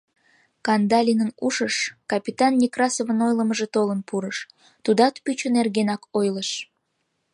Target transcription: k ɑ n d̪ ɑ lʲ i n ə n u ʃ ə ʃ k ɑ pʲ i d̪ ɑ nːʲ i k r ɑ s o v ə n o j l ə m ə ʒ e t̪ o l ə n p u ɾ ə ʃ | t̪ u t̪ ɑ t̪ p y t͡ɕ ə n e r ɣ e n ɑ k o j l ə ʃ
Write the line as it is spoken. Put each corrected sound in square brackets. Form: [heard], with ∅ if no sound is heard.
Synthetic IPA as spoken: k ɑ n d̪ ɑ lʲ i n ə n u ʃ ə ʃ k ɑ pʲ i [t̪] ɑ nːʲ i k r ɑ s o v ə n o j l ə m ə ʒ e t̪ o l ə n p u ɾ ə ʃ | t̪ u [d̪] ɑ t̪ p y t͡ɕ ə n e r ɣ e n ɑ k o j l ə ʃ